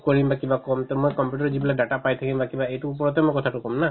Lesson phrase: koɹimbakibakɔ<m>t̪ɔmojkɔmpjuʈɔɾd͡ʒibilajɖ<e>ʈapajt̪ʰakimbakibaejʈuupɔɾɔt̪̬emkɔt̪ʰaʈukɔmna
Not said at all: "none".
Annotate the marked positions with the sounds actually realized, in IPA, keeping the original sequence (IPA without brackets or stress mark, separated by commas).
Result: m, a